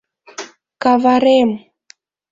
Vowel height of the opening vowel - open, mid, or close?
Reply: open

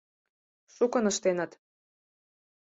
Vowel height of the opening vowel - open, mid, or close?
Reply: close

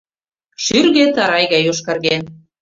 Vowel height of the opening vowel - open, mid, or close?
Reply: close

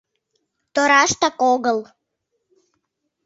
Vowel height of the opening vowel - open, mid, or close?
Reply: mid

